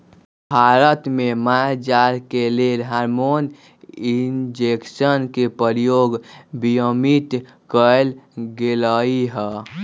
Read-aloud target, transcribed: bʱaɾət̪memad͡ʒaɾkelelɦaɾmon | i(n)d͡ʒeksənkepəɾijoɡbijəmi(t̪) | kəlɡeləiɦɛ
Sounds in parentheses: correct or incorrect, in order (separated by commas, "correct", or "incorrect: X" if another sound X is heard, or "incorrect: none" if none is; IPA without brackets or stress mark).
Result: correct, correct